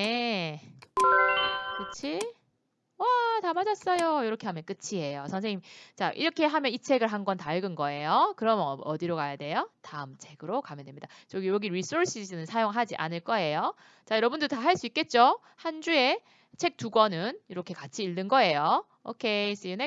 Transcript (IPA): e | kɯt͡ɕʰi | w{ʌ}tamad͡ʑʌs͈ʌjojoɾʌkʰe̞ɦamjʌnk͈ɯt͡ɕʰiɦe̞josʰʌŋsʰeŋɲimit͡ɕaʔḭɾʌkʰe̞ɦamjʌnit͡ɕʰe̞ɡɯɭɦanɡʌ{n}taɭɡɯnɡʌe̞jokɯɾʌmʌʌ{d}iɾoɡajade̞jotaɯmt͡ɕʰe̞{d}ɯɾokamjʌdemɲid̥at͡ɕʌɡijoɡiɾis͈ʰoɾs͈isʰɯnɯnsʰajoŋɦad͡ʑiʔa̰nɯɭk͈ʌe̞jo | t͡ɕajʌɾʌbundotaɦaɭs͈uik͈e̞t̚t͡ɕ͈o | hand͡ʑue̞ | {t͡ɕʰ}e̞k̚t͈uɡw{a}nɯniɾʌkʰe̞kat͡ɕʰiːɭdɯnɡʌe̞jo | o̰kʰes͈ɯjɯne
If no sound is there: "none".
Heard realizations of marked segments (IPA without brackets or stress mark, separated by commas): a, n, d, ɡ, t͡ɕʰ, ʌ